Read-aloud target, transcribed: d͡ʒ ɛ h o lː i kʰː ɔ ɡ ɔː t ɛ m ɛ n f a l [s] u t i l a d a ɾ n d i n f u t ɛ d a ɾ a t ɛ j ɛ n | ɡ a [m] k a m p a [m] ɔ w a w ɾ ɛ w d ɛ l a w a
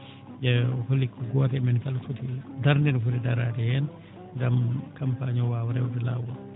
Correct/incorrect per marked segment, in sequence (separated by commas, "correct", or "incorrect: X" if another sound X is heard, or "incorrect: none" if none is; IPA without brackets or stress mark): incorrect: f, correct, incorrect: ɲ